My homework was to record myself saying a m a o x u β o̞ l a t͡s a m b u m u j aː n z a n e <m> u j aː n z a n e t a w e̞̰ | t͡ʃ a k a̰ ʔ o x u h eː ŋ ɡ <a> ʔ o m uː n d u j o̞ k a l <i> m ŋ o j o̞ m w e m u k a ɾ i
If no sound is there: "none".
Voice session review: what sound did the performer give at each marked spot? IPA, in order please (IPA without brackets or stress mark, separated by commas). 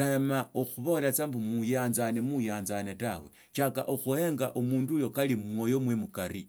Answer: m, a, i